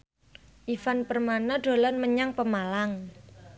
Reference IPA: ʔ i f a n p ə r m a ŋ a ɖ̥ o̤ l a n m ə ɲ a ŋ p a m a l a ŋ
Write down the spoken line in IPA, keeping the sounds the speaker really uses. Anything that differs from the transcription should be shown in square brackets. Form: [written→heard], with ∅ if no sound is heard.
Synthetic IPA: ʔ i f a n p ə r m a [ŋ→n] a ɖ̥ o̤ l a n m ə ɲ a ŋ p [a→ə] m a l a ŋ